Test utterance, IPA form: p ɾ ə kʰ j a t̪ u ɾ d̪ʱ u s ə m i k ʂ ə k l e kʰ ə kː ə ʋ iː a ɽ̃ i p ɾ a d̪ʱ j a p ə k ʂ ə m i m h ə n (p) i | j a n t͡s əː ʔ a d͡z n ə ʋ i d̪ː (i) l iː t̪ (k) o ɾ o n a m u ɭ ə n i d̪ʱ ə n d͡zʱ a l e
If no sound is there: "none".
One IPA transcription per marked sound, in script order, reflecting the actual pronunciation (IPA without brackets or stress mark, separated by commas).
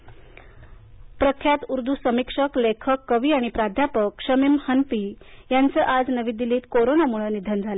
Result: p, i, k